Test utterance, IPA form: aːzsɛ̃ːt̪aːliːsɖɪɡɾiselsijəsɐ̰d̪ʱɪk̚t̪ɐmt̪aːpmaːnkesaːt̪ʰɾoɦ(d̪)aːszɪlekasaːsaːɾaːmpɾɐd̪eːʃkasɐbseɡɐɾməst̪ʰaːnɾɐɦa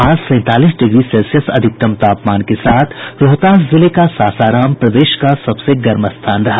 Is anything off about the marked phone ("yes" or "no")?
yes